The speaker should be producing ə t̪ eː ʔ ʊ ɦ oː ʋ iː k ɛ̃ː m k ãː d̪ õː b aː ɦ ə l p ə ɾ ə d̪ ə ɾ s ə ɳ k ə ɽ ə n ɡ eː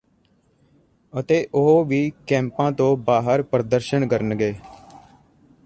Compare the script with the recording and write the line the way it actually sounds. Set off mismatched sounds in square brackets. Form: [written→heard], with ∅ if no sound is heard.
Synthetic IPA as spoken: ə t̪ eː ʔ ʊ ɦ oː ʋ iː k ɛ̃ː m [k→p] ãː [d̪→t̪] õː b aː ɦ ə [l→ɾ] p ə ɾ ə d̪ ə ɾ [s→ʃ] ə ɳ k ə [ɽ→ɾ] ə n ɡ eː